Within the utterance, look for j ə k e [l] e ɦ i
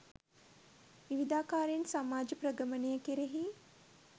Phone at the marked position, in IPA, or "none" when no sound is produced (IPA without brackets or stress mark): ɾ